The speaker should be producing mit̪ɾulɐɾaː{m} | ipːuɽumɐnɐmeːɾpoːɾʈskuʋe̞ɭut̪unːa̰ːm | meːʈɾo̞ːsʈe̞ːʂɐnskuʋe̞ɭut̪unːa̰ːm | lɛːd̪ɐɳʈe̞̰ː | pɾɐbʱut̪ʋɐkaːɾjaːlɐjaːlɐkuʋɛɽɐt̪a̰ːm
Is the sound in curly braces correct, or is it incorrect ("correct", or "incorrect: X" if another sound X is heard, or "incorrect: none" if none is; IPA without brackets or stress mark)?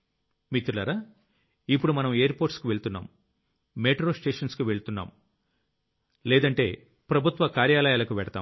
incorrect: none